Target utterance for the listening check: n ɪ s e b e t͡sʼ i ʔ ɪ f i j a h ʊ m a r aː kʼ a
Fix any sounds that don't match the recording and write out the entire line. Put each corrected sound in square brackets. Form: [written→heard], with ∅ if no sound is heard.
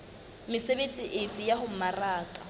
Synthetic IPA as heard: [n→m] ɪ s e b e t͡sʼ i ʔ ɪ f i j a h ʊ m a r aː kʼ a